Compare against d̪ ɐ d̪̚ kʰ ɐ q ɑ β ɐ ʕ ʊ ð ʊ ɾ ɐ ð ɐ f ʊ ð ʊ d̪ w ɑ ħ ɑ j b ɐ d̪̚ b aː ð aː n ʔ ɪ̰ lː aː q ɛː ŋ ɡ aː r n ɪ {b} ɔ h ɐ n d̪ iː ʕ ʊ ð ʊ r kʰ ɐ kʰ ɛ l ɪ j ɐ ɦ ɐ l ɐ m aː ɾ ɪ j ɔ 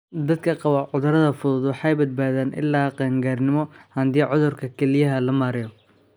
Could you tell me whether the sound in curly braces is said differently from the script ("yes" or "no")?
yes